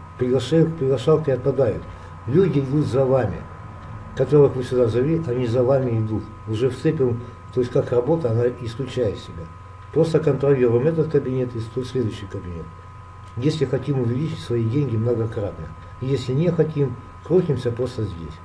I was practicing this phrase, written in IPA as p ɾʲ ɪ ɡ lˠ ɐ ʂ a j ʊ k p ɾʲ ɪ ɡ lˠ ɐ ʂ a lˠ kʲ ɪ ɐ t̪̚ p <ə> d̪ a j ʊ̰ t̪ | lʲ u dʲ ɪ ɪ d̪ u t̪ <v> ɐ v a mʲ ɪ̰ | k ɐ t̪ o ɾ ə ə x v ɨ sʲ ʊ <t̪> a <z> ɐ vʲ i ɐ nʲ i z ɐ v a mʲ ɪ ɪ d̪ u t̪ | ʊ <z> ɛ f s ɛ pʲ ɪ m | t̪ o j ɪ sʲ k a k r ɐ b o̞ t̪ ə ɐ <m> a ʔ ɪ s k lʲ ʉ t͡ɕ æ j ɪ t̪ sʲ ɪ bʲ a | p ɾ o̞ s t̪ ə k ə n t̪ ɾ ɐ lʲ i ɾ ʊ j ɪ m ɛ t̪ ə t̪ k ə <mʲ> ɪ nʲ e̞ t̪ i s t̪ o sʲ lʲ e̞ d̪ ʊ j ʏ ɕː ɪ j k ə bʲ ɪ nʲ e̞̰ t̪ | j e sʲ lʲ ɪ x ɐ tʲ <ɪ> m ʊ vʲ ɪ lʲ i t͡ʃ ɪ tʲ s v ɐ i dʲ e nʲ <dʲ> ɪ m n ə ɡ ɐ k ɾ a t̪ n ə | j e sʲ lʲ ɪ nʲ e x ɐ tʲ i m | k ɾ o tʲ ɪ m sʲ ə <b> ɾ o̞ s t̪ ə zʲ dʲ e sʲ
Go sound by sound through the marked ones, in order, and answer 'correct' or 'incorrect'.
incorrect: ɐ, incorrect: z, incorrect: d̪, correct, incorrect: ʐ, incorrect: n, incorrect: bʲ, incorrect: i, incorrect: ɡʲ, incorrect: p

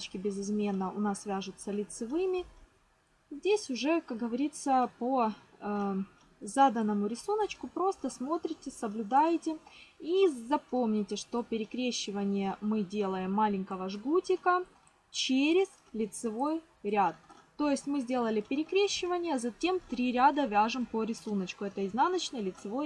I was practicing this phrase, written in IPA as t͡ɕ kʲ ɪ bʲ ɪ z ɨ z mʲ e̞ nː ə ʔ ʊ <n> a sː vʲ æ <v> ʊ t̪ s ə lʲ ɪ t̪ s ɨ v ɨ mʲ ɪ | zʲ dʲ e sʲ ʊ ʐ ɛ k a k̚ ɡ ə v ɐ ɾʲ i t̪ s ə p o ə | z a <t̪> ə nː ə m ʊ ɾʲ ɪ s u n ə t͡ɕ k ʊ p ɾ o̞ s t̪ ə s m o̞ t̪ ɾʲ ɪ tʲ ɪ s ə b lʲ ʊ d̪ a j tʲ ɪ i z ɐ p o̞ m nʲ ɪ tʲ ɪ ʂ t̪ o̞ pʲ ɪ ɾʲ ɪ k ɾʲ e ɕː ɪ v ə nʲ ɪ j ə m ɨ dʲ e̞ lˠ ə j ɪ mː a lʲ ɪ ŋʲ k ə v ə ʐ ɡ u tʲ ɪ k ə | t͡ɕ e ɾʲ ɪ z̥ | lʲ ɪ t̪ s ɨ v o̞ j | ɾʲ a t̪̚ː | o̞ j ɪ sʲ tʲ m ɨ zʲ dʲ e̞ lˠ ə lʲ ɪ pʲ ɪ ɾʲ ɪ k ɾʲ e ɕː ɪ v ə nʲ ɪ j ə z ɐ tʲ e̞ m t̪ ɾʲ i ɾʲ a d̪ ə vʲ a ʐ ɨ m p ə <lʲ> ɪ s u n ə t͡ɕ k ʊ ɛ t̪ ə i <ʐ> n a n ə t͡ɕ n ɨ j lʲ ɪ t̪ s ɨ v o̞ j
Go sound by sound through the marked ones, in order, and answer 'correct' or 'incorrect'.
correct, incorrect: ʐ, incorrect: d̪, incorrect: ɾʲ, incorrect: z

